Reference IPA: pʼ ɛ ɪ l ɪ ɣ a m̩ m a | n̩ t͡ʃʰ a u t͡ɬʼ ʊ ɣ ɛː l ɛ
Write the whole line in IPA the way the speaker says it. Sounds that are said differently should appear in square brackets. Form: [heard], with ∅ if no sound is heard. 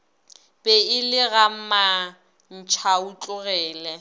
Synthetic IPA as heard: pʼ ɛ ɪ l ɪ ɣ a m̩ m a | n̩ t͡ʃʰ a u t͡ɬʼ ʊ ɣ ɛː l ɛ